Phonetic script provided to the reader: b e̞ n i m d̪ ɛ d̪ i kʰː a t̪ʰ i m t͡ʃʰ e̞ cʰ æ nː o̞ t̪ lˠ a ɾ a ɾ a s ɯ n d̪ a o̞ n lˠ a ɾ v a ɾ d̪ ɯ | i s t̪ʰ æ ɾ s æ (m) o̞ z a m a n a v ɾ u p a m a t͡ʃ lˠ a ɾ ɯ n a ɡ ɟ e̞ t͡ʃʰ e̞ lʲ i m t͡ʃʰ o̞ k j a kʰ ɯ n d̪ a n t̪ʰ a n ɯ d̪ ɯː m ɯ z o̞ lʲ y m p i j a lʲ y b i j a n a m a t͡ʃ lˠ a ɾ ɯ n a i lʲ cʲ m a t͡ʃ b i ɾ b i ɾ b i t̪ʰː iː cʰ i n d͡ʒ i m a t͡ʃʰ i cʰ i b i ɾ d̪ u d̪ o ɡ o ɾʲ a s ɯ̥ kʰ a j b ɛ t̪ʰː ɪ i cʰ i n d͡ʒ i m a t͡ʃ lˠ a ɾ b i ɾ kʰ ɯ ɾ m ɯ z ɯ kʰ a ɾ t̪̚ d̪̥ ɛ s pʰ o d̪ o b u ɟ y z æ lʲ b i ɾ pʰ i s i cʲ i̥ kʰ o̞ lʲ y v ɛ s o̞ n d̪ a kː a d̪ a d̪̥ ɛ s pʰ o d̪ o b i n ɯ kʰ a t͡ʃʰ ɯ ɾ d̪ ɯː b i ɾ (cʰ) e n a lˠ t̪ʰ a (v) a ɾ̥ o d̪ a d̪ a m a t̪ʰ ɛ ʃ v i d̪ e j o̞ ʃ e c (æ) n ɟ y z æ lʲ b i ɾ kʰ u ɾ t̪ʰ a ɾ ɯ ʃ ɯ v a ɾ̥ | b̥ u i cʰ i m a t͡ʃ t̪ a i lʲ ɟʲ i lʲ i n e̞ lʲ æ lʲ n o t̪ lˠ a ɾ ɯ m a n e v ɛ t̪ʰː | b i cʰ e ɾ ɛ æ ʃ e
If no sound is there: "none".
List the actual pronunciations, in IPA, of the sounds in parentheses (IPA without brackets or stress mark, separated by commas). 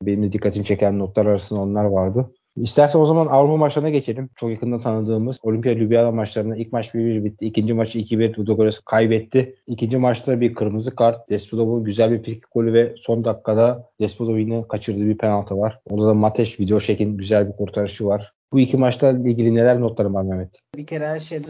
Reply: n, pʰ, v, i